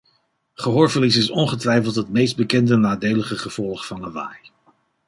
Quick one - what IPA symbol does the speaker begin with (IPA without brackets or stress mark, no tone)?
χ